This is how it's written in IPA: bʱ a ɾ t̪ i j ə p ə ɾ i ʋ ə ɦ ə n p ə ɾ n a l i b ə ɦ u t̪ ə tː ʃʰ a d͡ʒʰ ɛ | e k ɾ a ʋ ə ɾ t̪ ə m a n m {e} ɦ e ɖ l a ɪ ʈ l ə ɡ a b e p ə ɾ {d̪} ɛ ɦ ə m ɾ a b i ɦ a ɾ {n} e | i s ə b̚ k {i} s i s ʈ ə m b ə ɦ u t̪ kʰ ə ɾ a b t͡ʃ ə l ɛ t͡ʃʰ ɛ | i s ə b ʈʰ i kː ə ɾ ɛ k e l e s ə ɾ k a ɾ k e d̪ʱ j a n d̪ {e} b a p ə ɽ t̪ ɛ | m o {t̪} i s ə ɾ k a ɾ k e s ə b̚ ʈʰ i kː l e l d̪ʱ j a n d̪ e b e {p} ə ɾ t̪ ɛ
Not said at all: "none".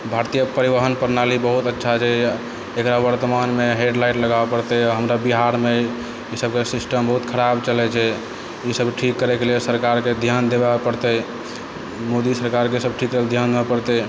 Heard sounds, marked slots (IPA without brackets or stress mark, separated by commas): e, t̪, m, e, e, d̪, p